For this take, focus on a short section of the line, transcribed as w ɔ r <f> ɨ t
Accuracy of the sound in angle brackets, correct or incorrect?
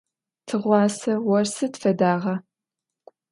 incorrect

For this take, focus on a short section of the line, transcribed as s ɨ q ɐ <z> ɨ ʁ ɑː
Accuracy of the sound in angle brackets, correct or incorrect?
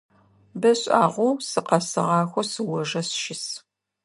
incorrect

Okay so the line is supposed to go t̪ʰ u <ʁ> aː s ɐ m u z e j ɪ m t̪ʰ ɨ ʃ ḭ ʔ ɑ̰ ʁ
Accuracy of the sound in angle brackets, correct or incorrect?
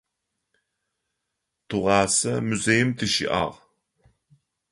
correct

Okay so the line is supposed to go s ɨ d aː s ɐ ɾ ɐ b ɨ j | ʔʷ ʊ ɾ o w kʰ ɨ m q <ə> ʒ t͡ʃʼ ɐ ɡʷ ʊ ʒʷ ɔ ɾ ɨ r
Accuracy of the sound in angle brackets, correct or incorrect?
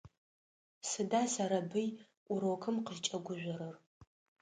correct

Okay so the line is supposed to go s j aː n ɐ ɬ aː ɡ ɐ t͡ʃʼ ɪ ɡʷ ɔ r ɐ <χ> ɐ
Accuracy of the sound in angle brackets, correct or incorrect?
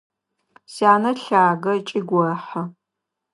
incorrect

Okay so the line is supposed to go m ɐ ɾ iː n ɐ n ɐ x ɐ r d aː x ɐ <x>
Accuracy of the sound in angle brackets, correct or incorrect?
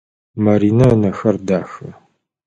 incorrect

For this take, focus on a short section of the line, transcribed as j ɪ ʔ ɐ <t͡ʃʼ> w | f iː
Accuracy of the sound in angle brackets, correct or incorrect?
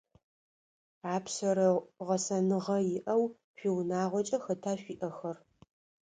incorrect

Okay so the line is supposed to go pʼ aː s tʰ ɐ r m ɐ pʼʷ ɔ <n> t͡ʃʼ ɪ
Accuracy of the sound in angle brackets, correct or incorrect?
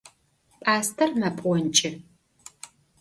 correct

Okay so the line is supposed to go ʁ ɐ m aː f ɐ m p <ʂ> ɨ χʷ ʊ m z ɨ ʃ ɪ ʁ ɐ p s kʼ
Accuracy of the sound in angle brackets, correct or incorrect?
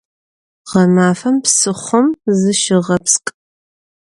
incorrect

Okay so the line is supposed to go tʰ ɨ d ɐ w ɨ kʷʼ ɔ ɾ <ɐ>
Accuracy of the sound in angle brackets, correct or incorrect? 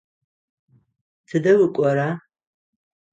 incorrect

